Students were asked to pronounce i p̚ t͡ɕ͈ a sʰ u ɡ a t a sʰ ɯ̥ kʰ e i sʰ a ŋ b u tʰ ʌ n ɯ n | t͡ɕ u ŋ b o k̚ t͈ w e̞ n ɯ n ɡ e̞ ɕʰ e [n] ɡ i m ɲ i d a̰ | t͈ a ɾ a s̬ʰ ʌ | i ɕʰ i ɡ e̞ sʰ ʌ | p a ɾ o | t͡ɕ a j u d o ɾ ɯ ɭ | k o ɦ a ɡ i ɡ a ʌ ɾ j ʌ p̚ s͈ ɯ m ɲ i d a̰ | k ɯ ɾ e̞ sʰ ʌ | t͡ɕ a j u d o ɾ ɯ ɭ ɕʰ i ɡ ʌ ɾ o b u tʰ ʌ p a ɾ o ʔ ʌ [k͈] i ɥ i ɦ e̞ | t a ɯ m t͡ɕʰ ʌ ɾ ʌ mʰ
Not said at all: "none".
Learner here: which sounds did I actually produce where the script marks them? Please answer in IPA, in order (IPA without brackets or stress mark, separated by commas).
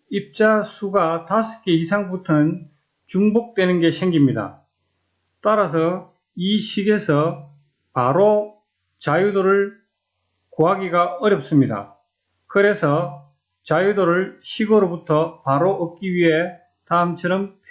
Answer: ŋ, k͈